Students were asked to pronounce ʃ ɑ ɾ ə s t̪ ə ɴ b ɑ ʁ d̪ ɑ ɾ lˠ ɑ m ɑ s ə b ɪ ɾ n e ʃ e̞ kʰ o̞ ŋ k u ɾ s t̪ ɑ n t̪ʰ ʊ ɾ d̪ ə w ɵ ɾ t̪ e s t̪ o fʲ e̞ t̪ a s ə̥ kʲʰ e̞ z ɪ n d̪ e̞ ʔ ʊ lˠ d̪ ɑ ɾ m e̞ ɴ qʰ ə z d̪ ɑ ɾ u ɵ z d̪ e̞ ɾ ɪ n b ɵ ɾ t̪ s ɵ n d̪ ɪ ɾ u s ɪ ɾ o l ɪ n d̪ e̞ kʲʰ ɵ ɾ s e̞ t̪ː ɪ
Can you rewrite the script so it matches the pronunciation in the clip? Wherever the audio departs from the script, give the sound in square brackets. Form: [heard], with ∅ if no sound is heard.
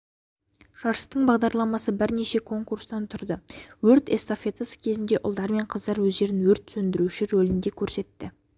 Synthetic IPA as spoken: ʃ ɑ ɾ ə s t̪ ə ɴ b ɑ ʁ d̪ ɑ ɾ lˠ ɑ m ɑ s ə b ɪ ɾ n e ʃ e̞ kʰ o̞ ŋ k u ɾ s t̪ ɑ n t̪ʰ ʊ ɾ d̪ ə w ɵ ɾ t̪ e s t̪ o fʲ e̞ t̪ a s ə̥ kʲʰ e̞ z ɪ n d̪ e̞ ʔ ʊ lˠ d̪ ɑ ɾ m e̞ ɴ qʰ ə z d̪ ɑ ɾ [w] ɵ z d̪ e̞ ɾ ɪ n [w] ɵ ɾ t̪ s ɵ n d̪ ɪ ɾ u [ʃ] ɪ ɾ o l ɪ n d̪ e̞ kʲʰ ɵ ɾ s e̞ t̪ː ɪ